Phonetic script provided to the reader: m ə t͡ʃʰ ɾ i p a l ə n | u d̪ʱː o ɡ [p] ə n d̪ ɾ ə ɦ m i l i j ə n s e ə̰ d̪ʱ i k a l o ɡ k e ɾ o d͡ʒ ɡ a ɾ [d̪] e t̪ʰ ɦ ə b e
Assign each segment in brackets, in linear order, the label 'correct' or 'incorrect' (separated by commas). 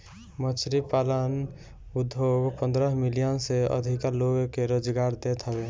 correct, correct